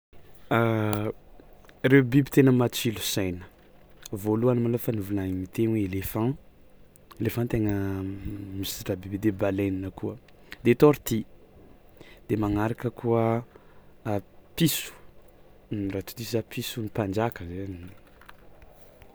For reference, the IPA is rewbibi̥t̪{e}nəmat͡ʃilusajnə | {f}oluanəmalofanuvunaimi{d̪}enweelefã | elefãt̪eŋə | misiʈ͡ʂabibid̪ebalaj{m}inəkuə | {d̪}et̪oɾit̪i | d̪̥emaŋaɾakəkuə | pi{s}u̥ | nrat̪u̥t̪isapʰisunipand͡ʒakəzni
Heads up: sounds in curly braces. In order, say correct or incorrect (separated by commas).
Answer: correct, incorrect, incorrect, incorrect, correct, correct